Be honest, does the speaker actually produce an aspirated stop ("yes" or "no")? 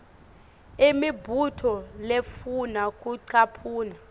yes